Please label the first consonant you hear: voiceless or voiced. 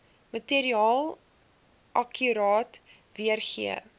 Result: voiced